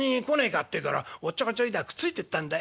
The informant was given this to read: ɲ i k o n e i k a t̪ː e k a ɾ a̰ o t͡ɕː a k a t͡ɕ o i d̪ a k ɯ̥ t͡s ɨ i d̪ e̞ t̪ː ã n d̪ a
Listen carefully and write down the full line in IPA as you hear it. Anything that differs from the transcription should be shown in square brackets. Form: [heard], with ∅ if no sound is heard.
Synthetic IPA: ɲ i k o n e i k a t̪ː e k a ɾ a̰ o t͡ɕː a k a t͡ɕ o i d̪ a k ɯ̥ t͡s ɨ i [t̪] e̞ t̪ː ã n d̪ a